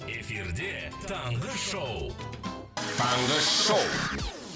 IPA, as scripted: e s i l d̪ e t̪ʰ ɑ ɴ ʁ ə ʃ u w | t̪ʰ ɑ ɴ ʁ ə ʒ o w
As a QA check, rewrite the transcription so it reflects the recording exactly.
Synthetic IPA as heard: e f i ɾ d̪ e t̪ʰ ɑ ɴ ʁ ə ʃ o w | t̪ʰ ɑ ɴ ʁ ə ʃ o w